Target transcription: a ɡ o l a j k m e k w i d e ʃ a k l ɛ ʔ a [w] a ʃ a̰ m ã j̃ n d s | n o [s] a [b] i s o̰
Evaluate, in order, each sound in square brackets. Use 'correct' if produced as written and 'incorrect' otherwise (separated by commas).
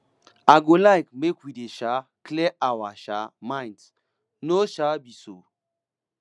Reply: correct, incorrect, correct